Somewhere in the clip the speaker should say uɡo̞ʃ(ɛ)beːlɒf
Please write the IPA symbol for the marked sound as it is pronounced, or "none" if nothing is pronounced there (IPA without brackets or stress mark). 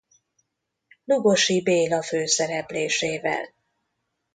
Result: i